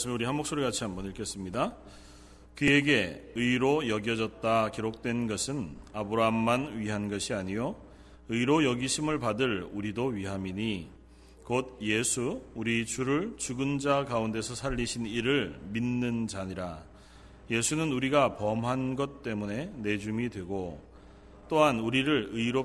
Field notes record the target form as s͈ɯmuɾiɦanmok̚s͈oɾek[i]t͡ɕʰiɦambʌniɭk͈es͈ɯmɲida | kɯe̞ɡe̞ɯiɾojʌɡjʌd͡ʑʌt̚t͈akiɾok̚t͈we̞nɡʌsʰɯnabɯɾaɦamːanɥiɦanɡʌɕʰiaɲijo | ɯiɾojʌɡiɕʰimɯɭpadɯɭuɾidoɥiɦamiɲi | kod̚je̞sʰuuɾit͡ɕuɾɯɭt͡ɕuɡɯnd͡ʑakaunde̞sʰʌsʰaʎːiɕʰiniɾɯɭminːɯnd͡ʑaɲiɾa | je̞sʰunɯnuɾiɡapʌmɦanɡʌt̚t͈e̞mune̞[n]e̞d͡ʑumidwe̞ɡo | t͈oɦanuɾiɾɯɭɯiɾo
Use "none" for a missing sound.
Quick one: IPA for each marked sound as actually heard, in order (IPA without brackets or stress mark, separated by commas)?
a, n